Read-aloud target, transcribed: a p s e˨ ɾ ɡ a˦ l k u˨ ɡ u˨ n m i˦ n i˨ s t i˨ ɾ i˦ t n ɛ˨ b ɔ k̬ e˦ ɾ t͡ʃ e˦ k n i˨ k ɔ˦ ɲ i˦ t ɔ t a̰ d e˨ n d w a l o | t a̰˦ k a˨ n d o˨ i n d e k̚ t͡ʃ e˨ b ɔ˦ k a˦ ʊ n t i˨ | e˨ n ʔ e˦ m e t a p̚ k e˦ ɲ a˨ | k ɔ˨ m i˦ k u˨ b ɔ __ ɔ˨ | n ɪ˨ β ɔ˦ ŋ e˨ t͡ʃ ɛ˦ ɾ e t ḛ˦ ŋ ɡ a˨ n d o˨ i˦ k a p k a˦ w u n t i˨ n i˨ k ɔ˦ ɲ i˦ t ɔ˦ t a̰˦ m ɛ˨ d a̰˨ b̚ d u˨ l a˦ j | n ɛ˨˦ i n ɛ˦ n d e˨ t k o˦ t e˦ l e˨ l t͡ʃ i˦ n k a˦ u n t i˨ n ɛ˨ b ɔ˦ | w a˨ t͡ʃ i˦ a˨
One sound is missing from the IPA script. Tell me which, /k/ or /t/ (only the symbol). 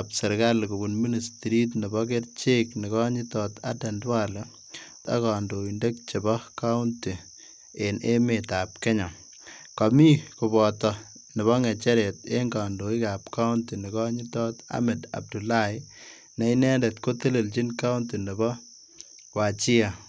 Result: t